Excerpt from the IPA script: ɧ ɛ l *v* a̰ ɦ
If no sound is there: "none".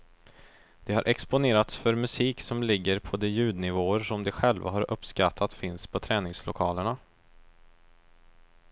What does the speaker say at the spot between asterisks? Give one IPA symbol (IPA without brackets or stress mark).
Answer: v